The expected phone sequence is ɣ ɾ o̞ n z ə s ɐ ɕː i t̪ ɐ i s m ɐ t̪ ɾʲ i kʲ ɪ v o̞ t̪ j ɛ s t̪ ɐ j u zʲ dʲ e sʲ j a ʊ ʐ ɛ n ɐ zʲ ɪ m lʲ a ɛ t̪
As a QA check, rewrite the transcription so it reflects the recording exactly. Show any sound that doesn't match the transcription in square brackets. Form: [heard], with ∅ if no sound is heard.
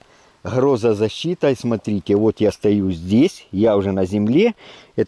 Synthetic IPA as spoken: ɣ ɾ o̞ [∅] z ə [z] ɐ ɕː i t̪ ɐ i s m ɐ t̪ ɾʲ i [tʲ] ɪ v o̞ t̪ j [a] s t̪ ɐ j u zʲ dʲ e sʲ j a ʊ ʐ ɛ n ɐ zʲ ɪ m lʲ [e] ɛ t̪